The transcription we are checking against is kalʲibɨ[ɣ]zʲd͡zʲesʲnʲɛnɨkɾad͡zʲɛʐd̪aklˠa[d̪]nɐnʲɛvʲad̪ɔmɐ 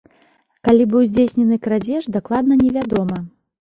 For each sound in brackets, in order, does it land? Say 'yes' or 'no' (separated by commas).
no, yes